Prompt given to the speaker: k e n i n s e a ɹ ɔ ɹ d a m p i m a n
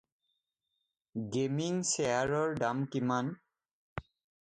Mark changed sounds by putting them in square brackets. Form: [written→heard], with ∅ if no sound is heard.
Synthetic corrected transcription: [k→ɡ] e [n→m] i [n→ŋ] s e a ɹ ɔ ɹ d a m [p→k] i m a n